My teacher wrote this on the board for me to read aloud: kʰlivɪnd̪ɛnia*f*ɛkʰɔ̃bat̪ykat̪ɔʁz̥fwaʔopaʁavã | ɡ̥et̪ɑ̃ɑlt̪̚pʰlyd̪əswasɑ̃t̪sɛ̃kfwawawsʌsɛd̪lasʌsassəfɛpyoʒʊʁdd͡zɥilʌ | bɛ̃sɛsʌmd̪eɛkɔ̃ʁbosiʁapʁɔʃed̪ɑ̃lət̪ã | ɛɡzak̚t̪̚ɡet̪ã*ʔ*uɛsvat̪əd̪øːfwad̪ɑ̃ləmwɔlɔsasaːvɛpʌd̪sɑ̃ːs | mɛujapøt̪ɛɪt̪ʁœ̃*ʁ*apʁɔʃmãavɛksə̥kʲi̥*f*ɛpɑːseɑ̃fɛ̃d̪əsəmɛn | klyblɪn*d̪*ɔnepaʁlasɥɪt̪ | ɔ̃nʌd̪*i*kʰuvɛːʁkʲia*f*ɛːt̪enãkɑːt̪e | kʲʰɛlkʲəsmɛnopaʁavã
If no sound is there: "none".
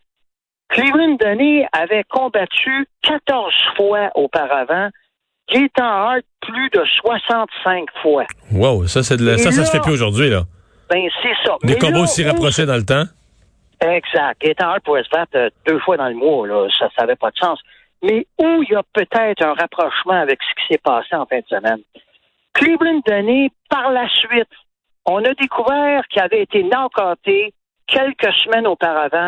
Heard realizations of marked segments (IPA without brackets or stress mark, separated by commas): v, p, ʁ, s, d̪, e, v